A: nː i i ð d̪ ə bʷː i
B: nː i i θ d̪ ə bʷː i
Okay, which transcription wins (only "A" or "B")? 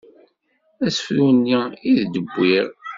A